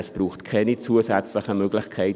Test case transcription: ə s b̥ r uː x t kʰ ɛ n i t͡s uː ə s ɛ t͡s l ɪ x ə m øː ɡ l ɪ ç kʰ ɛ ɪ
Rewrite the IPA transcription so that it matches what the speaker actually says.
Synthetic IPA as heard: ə s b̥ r uː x t kʰ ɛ n i t͡s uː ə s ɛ t͡s l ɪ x ə m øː ɡ l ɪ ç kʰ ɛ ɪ